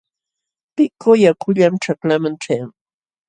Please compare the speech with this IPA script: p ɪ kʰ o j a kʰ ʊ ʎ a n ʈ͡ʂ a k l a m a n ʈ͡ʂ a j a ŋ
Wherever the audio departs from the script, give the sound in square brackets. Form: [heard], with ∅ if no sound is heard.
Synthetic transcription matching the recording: p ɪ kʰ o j a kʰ ʊ ʎ a [m] ʈ͡ʂ a k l a m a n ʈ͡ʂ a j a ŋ